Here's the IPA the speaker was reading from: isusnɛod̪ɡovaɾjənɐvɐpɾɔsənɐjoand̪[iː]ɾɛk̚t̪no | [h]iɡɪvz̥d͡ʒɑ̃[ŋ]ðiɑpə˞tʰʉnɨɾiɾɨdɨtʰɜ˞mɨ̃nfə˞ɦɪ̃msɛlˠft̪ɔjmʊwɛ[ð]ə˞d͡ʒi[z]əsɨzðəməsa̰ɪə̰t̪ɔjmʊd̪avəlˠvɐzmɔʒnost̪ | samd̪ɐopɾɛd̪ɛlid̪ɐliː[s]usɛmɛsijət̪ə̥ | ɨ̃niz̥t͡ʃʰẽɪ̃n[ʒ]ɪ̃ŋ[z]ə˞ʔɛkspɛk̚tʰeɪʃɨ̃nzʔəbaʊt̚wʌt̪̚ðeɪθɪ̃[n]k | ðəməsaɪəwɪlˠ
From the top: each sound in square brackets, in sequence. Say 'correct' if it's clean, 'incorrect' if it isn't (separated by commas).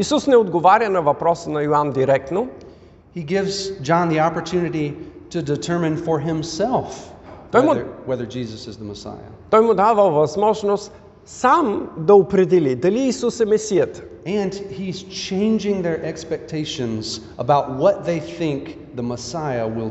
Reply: incorrect, correct, incorrect, correct, correct, correct, incorrect, incorrect, incorrect